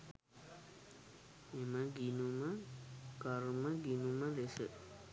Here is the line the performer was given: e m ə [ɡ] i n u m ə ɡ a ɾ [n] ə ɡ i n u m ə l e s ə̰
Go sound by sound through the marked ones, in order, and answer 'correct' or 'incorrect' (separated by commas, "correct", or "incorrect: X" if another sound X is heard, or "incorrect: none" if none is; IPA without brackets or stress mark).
correct, incorrect: m